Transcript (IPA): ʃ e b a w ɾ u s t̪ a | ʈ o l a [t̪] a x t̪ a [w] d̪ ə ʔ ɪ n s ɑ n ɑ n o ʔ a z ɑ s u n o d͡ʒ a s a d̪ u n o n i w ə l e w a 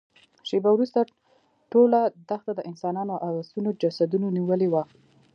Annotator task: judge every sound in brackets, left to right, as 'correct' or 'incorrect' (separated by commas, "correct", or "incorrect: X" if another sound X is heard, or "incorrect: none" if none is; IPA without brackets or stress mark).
incorrect: d̪, incorrect: none